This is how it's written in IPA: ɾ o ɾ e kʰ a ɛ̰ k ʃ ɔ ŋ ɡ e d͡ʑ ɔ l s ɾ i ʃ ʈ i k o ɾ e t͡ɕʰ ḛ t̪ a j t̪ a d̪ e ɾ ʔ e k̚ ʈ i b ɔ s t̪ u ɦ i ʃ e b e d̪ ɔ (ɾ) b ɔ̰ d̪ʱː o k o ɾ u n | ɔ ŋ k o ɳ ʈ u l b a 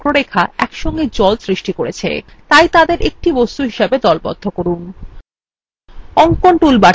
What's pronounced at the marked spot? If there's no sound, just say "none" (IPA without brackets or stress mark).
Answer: l